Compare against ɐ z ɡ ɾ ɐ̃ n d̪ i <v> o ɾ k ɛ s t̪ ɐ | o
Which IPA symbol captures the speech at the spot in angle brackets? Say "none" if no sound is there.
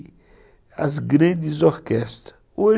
z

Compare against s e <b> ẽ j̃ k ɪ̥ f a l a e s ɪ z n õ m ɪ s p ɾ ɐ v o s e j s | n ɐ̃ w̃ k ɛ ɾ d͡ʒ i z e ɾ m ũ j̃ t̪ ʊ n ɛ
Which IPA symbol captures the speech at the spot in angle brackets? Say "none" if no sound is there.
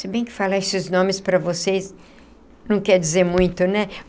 b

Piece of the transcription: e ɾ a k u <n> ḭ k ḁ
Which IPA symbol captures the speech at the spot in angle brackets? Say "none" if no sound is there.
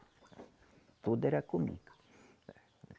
m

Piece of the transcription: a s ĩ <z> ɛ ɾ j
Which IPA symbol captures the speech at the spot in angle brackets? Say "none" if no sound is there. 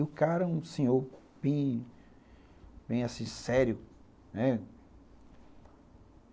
s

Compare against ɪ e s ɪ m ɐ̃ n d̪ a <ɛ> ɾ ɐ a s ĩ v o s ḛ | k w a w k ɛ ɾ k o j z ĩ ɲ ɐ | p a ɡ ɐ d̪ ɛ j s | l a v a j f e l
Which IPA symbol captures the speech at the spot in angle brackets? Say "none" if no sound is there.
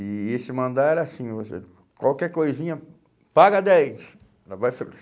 ɛ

